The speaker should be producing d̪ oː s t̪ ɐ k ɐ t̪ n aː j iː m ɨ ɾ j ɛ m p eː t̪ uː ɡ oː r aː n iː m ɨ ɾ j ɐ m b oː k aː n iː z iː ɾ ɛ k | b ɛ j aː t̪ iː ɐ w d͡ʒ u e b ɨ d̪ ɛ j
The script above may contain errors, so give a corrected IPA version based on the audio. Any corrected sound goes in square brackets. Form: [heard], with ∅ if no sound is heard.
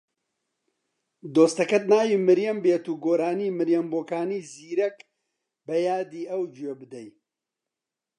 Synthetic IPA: d̪ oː s t̪ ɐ k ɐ t̪ n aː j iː m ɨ ɾ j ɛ m [b] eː t̪ uː ɡ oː [ɾ] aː n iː m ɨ ɾ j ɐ m b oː k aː n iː z iː ɾ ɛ k | b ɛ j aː [d̪] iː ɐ w d͡ʒ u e b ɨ d̪ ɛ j